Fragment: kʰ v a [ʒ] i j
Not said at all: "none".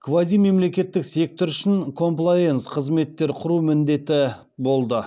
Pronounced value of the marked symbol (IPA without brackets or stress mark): z